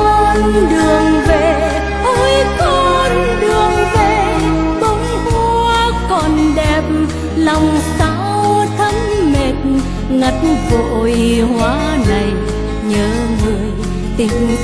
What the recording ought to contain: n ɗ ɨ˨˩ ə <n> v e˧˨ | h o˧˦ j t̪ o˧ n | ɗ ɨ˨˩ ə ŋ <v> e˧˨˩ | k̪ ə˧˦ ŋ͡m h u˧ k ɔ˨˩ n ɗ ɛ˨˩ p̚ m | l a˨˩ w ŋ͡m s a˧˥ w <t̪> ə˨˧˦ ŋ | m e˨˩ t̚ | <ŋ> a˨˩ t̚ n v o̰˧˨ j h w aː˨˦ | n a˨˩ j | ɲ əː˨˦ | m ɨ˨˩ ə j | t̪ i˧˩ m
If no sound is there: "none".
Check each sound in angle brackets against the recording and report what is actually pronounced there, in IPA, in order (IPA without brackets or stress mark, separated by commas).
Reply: ŋ, v, t̪ʰ, ŋ